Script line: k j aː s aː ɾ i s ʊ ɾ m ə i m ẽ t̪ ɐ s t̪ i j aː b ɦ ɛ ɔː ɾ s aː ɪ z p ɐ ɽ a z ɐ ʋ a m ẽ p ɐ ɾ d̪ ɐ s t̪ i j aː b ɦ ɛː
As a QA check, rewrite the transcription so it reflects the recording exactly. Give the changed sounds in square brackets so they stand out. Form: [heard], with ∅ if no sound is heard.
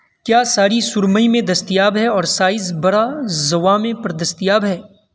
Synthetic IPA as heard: k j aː s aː ɾ i s ʊ ɾ m ə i m ẽ [d̪] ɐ s t̪ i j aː b ɦ ɛ ɔː ɾ s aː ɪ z [b] ɐ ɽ a z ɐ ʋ a m ẽ p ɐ ɾ d̪ ɐ s t̪ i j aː b ɦ ɛː